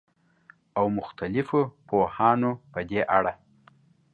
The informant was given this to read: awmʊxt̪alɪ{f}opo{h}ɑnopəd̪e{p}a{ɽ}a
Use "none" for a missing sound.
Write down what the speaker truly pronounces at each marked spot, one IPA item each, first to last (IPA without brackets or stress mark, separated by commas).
f, h, ʔ, ɽ